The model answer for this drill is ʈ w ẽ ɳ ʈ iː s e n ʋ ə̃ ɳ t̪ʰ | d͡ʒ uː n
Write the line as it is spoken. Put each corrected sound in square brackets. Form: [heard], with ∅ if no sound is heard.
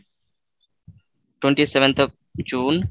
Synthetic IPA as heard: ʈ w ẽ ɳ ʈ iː s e [∅] ʋ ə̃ [n] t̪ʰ | d͡ʒ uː n